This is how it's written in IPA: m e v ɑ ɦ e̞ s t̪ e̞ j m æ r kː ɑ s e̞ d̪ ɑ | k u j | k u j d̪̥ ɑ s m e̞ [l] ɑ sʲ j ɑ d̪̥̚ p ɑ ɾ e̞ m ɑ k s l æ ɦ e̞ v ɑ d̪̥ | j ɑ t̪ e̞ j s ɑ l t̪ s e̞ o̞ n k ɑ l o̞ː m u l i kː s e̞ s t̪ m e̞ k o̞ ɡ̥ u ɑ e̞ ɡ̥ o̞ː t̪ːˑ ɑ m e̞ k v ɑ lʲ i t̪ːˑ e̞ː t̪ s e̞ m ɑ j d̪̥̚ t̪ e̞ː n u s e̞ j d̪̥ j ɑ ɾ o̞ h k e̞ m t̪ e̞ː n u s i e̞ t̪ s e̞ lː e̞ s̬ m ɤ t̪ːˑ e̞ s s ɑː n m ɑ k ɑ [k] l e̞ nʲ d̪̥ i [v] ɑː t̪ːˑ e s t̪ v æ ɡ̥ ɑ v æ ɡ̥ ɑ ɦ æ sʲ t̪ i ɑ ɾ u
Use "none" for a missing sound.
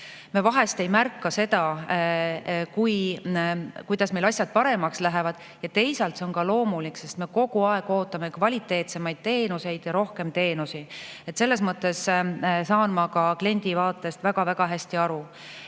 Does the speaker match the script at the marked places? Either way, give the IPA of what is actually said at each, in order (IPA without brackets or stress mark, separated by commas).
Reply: l, k, v